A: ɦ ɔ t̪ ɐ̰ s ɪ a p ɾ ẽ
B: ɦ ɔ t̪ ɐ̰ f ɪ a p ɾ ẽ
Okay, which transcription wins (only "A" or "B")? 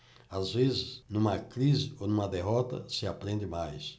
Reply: A